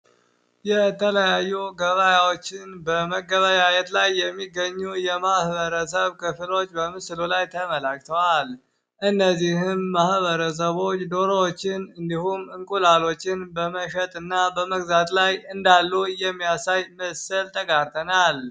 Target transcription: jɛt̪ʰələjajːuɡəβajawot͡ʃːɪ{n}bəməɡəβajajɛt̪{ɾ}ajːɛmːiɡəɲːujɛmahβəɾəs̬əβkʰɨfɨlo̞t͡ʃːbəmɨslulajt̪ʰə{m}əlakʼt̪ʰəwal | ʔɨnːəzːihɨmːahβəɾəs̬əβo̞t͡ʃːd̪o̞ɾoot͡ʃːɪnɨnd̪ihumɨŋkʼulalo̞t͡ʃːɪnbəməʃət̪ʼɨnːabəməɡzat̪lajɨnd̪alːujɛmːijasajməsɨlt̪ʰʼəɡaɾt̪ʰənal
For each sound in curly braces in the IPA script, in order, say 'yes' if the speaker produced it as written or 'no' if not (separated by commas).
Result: yes, no, yes